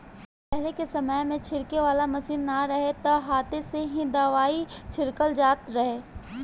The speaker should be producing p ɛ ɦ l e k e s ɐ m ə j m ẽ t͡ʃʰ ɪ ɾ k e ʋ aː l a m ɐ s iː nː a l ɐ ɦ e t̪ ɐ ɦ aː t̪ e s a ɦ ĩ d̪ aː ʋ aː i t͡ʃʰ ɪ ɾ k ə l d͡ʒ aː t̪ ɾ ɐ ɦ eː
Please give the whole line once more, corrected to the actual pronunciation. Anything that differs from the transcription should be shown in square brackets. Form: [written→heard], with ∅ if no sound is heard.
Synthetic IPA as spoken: p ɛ ɦ l e k e s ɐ m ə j m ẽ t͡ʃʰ ɪ ɾ k e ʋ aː l a m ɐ s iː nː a [l→ɾ] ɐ ɦ e t̪ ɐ ɦ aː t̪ e s [a→e] ɦ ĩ d̪ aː ʋ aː i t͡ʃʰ ɪ ɾ k ə l d͡ʒ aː t̪ ɾ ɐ ɦ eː